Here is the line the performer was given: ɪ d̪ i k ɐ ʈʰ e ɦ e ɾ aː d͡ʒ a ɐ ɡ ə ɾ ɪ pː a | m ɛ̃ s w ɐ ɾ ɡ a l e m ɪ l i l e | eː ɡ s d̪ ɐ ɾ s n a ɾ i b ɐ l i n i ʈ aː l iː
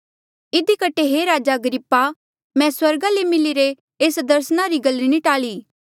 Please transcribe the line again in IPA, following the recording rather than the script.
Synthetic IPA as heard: ɪ d̪ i k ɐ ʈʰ e ɦ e ɾ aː d͡ʒ a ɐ ɡ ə ɾ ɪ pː a | m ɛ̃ s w ɐ ɾ ɡ a l e m ɪ l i ɾ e | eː s d̪ ɐ ɾ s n a ɾ i ɡ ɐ l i n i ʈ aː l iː